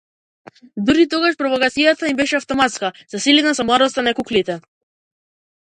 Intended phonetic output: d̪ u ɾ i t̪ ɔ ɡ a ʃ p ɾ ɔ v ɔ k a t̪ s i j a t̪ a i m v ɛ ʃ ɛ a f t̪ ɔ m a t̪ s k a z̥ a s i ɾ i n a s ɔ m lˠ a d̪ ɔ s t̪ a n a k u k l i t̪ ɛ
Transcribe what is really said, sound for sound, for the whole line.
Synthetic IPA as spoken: d̪ u ɾ i t̪ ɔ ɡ a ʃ p ɾ ɔ v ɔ k a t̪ s i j a t̪ a i m b ɛ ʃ ɛ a f t̪ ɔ m a t̪ s k a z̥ a s i l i n a s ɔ m lˠ a d̪ ɔ s t̪ a n a k u k l i t̪ ɛ